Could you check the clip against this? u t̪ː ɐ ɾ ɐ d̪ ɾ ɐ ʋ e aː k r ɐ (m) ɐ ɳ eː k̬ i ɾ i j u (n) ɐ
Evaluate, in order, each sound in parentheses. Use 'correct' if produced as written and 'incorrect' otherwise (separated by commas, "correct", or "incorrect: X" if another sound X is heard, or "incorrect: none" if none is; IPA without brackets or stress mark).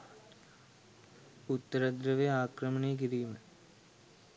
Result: correct, incorrect: m